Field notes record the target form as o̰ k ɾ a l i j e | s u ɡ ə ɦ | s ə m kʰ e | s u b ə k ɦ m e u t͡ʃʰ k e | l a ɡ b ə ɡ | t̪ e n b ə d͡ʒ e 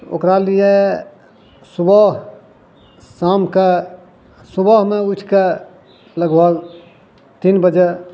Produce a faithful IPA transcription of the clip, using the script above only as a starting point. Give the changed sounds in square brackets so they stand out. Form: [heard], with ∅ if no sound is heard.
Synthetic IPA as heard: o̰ k ɾ a l i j e | s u [b] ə ɦ | s [a] m [k] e | s u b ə [∅] ɦ m e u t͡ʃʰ k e | l [ə] ɡ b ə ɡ | t̪ [i] n b ə d͡ʒ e